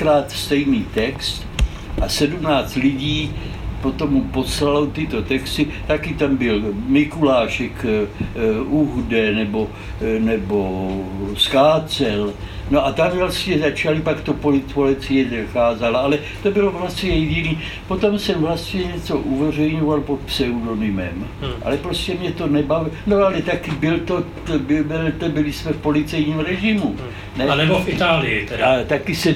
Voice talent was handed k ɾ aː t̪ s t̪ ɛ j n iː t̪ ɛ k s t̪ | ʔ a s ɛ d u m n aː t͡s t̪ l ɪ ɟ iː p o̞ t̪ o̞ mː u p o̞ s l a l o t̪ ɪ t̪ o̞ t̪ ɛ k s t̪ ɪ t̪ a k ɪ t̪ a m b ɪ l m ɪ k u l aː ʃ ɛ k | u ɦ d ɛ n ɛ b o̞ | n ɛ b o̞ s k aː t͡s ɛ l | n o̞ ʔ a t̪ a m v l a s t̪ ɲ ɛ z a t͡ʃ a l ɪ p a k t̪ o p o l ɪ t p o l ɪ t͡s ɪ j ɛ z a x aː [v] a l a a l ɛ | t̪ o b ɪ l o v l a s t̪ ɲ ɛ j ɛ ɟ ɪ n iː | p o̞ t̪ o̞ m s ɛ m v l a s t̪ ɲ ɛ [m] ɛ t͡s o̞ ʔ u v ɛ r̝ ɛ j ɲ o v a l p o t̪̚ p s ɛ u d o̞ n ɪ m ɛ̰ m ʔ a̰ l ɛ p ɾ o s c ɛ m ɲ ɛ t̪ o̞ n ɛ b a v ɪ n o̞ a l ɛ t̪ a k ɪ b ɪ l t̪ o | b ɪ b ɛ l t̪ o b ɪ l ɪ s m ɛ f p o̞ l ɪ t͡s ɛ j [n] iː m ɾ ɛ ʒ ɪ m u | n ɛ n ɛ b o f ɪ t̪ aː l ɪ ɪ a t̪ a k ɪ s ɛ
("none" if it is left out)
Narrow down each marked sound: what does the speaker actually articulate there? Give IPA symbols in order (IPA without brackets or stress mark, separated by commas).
z, ɲ, ɲ